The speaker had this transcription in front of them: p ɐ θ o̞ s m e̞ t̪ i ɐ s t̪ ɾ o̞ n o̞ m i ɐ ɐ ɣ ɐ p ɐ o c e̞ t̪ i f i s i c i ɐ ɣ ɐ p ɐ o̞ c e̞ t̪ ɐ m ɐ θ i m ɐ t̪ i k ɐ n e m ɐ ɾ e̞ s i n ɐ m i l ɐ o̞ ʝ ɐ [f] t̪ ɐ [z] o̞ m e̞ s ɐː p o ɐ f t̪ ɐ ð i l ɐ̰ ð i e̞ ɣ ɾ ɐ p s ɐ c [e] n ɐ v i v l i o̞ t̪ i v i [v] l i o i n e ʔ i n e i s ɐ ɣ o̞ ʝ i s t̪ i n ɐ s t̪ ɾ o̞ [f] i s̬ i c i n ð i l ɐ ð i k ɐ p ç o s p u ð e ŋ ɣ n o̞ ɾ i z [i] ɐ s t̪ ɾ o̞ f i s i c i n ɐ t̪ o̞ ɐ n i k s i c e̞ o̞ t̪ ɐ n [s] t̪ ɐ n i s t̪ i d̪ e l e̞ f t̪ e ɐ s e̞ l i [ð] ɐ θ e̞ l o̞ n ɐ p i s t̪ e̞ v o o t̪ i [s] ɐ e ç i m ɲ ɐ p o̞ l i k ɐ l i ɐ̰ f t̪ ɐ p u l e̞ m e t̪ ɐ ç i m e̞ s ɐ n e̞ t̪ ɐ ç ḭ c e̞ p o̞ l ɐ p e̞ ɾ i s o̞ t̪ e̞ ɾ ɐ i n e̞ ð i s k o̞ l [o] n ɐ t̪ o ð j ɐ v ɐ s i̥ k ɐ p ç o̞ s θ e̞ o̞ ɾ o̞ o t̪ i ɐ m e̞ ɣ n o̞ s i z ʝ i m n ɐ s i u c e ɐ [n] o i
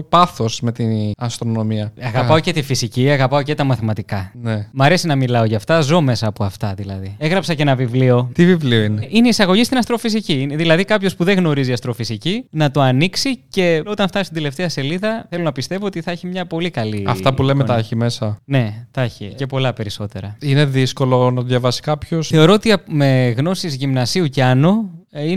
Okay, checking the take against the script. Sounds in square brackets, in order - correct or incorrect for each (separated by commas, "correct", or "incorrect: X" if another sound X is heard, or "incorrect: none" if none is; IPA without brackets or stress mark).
correct, correct, correct, correct, correct, correct, incorrect: f, correct, incorrect: θ, correct, correct